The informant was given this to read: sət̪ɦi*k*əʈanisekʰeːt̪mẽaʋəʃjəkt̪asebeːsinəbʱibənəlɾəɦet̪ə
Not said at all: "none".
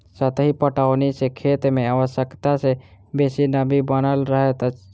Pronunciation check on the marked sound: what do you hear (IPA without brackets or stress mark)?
p